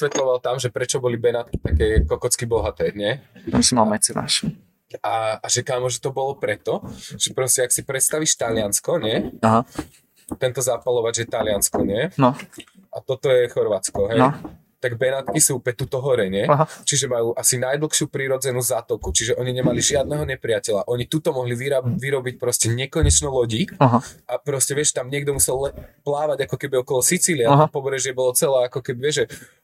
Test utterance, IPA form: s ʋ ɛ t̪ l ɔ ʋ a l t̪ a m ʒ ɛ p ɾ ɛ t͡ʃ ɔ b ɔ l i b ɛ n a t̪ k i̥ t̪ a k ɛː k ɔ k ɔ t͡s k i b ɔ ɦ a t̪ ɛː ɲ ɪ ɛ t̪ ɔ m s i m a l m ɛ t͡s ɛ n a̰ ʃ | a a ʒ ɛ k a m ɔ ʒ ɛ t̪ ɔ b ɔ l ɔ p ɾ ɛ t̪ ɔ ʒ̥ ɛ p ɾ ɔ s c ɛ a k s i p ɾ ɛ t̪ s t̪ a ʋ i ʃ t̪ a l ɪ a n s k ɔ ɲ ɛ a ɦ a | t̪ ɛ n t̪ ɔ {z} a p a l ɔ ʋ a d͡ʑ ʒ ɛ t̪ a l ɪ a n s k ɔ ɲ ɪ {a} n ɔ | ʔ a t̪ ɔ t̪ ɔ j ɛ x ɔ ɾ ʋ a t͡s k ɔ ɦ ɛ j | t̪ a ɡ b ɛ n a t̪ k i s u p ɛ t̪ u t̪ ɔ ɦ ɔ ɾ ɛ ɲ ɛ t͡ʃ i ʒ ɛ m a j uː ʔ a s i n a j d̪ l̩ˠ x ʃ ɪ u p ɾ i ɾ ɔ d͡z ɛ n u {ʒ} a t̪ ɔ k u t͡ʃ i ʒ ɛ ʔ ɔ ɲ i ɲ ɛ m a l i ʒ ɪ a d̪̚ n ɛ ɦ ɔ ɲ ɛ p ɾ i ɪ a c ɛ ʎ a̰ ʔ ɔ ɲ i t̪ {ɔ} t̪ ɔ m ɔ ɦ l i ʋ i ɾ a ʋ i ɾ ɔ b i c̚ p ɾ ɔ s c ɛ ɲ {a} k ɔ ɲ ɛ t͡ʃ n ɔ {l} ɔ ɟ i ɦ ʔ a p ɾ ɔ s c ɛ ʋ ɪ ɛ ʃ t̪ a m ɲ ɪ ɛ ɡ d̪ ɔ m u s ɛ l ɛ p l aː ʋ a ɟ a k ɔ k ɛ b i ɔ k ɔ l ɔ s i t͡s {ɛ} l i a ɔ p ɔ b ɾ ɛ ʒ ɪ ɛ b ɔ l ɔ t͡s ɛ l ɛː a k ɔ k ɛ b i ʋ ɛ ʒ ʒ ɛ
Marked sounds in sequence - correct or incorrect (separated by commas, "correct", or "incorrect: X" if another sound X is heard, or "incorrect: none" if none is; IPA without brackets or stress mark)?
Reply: correct, incorrect: ɛ, incorrect: z, incorrect: u, incorrect: ɛ, correct, incorrect: i